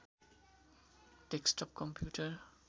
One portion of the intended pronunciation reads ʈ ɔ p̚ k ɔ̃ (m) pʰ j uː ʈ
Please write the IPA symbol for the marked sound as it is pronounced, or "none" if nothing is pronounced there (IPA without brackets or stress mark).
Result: m